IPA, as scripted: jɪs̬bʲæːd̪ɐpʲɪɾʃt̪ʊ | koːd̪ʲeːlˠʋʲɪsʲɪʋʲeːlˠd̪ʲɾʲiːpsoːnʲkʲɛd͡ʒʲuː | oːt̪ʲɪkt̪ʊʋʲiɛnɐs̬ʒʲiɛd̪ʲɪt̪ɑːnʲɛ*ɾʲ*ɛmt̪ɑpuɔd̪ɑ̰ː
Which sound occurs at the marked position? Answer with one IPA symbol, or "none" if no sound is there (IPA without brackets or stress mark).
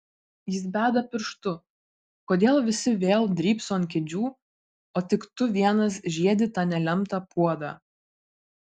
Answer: lʲ